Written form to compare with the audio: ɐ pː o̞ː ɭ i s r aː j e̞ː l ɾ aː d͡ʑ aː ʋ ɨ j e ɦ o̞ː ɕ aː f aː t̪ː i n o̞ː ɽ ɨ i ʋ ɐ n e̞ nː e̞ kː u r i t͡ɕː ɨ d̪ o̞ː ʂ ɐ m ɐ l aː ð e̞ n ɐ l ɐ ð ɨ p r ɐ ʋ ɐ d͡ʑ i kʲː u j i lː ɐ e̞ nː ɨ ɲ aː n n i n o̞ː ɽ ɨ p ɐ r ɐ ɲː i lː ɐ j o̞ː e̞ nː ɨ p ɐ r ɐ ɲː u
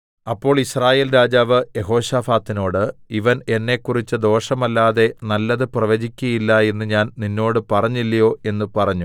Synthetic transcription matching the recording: ɐ pː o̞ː ɭ i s r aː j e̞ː l ɾ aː d͡ʑ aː ʋ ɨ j e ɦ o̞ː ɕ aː f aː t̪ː i n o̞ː ɽ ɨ i ʋ ɐ n e̞ nː e̞ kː u r i t͡ɕː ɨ d̪ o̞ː ʂ ɐ m ɐ lː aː ð e̞ n ɐ lː ɐ ð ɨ p r ɐ ʋ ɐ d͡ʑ i kʲː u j i lː ɐ e̞ nː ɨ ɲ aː n n i nː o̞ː ɽ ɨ p ɐ r ɐ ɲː i lː ɐ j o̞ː e̞ nː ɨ p ɐ r ɐ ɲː u